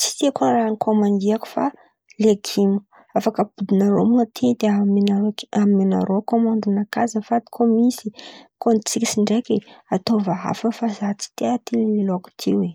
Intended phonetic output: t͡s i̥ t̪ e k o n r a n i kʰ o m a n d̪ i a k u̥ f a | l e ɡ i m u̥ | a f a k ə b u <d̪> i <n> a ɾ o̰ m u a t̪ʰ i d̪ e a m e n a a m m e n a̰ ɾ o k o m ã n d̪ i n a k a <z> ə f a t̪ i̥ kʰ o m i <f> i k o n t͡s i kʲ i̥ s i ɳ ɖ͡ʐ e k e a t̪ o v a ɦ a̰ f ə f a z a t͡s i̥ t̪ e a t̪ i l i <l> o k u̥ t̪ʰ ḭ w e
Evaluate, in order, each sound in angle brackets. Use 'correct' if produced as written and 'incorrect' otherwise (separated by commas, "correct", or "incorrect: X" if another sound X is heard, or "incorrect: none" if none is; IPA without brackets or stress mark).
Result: correct, correct, correct, incorrect: s, correct